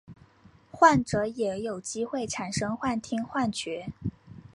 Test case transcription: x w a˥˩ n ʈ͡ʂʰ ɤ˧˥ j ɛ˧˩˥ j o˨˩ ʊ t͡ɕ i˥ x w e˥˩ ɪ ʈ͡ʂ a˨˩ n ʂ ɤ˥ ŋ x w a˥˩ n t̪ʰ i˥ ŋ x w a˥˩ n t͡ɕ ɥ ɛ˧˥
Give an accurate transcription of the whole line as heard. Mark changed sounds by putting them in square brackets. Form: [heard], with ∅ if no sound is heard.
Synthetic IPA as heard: x w a˥˩ n [ʈ͡ʂ] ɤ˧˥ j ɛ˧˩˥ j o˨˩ ʊ t͡ɕ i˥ x w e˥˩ ɪ [ʈ͡ʂʰ] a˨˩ n ʂ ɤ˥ ŋ x w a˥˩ n t̪ʰ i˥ ŋ x w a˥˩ n t͡ɕ ɥ ɛ˧˥